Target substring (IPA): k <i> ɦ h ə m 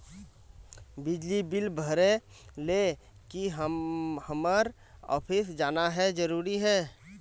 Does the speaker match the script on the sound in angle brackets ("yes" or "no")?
yes